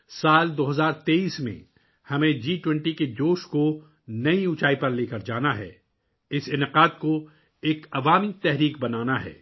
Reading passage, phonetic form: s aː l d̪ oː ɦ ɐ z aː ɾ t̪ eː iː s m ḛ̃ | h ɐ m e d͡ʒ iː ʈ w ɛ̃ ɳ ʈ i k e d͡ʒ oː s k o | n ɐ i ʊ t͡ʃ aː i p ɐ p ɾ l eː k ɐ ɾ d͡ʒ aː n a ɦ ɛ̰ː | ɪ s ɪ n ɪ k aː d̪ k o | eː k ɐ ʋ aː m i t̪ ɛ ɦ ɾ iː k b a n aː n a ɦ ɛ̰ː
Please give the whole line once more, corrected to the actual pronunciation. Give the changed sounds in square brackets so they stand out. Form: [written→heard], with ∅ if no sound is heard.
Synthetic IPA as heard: s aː l d̪ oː ɦ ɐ z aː ɾ t̪ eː iː s m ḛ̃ | h ɐ m [e→ẽ] d͡ʒ iː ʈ w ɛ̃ ɳ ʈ i k e d͡ʒ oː [s→ʃ] k o | n ɐ i ʊ t͡ʃ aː i p ɐ [p→∅] ɾ l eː k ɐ ɾ d͡ʒ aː n a ɦ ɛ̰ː | ɪ s ɪ n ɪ [k→q] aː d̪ k o | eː k ɐ ʋ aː m i t̪ ɛ ɦ ɾ iː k b [a→ɐ] n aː n a ɦ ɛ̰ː